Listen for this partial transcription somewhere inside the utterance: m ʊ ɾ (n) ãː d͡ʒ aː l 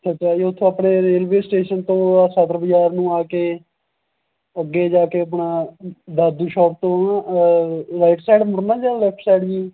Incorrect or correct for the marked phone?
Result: correct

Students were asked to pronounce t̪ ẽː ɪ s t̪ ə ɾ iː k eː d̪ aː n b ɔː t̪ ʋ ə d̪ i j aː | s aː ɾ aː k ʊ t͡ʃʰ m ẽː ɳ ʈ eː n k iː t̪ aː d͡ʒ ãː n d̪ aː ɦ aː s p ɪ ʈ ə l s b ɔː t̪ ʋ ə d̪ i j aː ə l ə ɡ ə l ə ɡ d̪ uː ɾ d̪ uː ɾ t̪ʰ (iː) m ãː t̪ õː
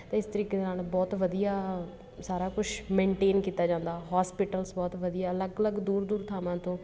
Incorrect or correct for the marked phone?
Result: incorrect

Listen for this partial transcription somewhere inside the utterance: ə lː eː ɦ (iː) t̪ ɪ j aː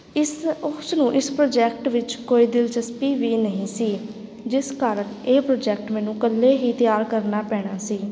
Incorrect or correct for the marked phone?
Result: correct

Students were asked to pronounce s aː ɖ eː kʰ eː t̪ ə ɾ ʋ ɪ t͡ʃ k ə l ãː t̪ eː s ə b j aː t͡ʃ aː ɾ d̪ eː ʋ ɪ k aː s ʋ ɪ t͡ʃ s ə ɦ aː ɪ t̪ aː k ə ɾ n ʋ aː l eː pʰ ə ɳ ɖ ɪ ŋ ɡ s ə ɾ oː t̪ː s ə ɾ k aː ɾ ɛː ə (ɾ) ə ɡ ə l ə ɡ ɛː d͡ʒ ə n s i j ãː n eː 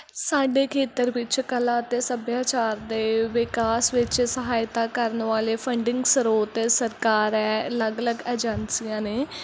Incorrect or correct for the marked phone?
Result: incorrect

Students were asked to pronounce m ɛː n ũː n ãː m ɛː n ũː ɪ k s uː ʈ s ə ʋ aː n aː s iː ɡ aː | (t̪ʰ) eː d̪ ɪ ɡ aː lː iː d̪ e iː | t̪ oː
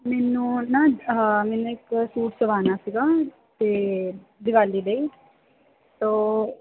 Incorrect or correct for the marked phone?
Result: incorrect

